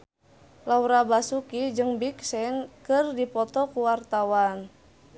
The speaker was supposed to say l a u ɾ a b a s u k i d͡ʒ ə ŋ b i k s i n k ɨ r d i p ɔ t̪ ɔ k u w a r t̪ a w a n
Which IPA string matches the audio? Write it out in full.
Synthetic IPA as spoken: l a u ɾ a b a s u k i d͡ʒ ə ŋ b i k s ɛ n k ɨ r d i p ɔ t̪ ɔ k u w a r t̪ a w a n